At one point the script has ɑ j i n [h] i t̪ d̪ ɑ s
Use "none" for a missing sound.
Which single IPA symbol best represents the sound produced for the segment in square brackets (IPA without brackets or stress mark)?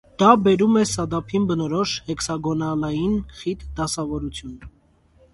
χ